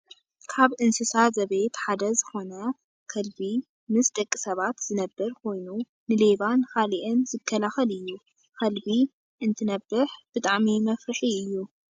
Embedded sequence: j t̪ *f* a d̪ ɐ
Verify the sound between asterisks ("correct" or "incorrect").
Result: incorrect